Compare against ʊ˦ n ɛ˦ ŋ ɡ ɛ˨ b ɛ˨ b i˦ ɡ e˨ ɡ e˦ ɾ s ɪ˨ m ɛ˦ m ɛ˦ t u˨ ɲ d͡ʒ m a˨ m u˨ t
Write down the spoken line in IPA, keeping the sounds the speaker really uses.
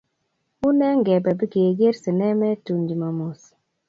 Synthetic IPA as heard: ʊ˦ n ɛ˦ ŋ ɡ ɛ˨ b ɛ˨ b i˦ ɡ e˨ ɡ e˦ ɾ s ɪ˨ n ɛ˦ m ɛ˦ t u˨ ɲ d͡ʒ m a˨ m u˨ s